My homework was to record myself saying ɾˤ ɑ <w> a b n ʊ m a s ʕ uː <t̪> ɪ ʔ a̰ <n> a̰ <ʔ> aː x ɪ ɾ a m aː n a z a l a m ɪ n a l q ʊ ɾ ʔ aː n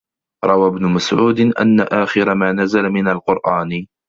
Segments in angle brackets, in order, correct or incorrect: correct, incorrect, incorrect, correct

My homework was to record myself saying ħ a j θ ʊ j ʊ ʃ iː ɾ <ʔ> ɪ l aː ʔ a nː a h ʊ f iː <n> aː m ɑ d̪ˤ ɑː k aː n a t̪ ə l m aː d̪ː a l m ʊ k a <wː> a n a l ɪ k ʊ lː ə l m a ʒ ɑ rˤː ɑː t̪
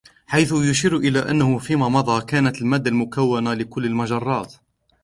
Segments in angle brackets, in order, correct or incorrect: correct, incorrect, correct

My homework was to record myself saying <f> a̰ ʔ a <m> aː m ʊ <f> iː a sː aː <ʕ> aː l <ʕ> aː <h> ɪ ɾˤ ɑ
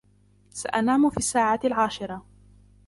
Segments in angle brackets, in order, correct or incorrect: incorrect, incorrect, correct, correct, correct, incorrect

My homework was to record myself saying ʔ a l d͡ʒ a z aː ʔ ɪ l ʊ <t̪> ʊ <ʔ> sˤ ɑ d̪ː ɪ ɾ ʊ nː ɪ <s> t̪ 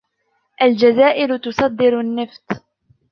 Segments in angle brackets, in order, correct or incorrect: correct, incorrect, incorrect

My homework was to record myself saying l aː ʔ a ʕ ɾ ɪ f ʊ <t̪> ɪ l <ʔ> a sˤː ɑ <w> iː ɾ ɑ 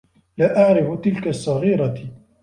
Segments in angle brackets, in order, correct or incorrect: correct, incorrect, incorrect

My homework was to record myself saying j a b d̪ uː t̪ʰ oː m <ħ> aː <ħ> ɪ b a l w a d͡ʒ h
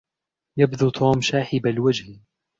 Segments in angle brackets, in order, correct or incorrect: incorrect, correct

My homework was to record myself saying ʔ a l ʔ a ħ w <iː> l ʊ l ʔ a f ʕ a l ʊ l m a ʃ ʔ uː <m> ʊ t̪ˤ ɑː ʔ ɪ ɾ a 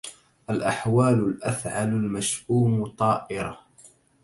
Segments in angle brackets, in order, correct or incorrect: incorrect, correct

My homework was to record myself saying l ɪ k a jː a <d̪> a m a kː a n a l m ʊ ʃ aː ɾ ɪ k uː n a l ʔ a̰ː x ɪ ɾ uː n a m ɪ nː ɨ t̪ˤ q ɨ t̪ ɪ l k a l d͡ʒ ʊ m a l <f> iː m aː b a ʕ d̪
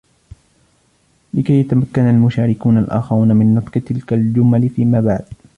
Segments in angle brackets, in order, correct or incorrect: incorrect, correct

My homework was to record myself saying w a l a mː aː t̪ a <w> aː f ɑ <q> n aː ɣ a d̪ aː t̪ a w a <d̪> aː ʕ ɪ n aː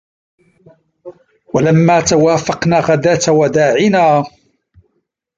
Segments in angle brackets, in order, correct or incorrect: correct, correct, correct

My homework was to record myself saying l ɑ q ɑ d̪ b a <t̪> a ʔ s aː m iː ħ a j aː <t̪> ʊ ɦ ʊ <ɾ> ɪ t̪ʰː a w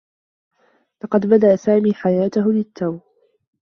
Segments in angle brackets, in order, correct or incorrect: incorrect, correct, incorrect

